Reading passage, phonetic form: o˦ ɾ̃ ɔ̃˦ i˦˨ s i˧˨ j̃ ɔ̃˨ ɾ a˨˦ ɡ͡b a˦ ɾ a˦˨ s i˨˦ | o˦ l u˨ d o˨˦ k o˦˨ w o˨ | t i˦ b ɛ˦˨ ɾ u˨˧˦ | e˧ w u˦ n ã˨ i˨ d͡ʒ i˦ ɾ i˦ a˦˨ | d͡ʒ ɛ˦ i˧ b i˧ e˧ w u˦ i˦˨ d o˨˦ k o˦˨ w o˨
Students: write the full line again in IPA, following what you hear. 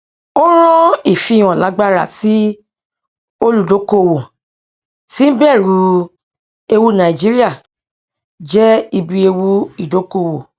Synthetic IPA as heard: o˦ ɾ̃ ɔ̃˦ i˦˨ f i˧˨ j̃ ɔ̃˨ l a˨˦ ɡ͡b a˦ ɾ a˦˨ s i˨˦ | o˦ l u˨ d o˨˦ k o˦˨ w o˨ | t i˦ b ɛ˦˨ ɾ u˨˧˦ | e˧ w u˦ n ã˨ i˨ d͡ʒ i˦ ɾ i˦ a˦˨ | d͡ʒ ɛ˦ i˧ b i˧ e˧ w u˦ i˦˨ d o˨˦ k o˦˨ w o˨